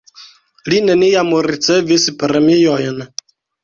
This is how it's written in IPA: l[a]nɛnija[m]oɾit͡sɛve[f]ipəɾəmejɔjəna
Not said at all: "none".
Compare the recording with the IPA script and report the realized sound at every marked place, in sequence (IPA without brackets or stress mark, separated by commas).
i, m, s